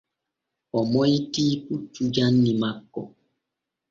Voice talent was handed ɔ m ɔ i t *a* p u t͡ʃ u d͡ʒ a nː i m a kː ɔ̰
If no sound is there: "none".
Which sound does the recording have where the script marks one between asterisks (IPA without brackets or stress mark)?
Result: i